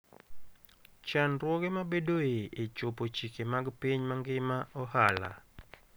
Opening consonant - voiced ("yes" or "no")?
no